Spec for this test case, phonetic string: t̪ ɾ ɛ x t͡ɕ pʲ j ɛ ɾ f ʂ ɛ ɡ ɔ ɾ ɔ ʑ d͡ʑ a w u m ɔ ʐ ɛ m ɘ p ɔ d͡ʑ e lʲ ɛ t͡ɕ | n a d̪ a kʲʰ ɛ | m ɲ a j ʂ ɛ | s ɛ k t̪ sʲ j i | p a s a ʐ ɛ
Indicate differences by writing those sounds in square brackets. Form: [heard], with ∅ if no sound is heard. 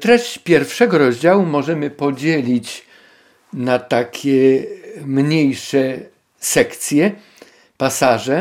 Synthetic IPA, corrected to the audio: t̪ ɾ ɛ [ɕ] t͡ɕ pʲ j ɛ ɾ f ʂ ɛ ɡ ɔ ɾ ɔ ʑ d͡ʑ a w u m ɔ ʐ ɛ m ɘ p ɔ d͡ʑ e lʲ [i] t͡ɕ | n a [t̪] a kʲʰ ɛ | m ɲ [e] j ʂ ɛ | s ɛ k t̪ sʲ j [ɛ] | p a s a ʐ ɛ